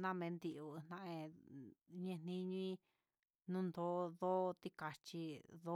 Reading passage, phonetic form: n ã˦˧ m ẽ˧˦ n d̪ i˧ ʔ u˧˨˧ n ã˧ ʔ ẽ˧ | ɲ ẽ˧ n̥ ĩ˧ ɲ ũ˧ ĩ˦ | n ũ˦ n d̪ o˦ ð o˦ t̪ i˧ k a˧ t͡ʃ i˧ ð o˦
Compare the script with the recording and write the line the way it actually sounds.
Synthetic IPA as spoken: n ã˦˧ m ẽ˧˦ n d̪ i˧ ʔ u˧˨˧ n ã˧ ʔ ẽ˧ | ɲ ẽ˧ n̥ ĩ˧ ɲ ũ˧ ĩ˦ | n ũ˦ n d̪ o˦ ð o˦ t̪ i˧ k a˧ t͡ʃ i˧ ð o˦